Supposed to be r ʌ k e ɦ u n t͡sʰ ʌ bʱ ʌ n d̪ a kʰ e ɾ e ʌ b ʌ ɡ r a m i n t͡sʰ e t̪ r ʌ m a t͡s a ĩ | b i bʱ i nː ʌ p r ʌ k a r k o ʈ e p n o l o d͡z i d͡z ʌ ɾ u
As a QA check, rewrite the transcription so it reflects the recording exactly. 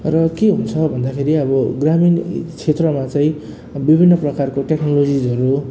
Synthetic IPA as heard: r ʌ k e ɦ u n t͡sʰ ʌ bʱ ʌ n d̪ a kʰ e ɾ i ʌ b ʌ ɡ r a m i n t͡sʰ e t̪ r ʌ m a t͡s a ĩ | b i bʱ i nː ʌ p r ʌ k a r k o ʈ e k n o l o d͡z i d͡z ʌ ɾ u